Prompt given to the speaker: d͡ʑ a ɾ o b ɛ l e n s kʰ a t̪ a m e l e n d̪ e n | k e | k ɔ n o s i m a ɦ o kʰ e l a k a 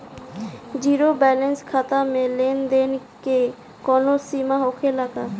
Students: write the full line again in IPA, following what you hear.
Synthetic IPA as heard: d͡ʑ i ɾ o b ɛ l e n s kʰ a t̪ a m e l e n d̪ e n | k e | k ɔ n o s i m a ɦ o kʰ e l a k a